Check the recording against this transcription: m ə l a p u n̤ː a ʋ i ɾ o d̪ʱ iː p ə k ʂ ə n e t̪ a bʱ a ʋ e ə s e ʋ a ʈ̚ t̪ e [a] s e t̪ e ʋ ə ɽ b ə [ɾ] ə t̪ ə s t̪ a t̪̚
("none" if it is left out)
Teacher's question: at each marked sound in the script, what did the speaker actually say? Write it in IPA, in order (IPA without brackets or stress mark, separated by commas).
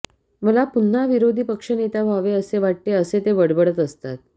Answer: ə, ɽ